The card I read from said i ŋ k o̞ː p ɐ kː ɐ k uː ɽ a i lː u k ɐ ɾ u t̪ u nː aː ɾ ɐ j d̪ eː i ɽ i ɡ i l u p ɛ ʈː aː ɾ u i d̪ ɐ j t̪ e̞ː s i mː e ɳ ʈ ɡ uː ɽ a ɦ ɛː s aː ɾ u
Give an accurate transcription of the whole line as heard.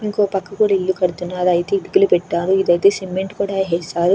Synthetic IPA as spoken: i ŋ k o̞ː p ɐ kː ɐ k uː ɽ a i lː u k ɐ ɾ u t̪ u nː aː ɾ ɐ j t̪ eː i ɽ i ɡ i l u p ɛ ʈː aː ɾ u i d̪ ɐ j t̪ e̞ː s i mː e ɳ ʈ k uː ɽ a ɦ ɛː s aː ɾ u